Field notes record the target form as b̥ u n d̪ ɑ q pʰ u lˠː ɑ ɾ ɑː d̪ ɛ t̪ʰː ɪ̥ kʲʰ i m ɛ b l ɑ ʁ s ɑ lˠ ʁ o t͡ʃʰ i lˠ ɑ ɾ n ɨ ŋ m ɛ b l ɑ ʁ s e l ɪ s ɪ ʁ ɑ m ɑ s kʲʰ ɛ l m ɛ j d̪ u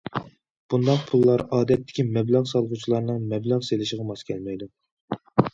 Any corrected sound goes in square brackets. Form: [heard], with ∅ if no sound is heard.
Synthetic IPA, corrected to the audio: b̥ u n d̪ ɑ q pʰ u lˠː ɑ ɾ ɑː d̪ ɛ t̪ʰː ɪ̥ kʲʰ i m ɛ b l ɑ ʁ s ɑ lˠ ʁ [u] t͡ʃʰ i lˠ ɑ ɾ n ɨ ŋ m ɛ b l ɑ ʁ s e l ɪ [ʃ] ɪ ʁ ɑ m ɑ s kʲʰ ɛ l m ɛ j d̪ u